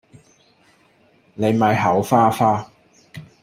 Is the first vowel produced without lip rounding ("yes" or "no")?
yes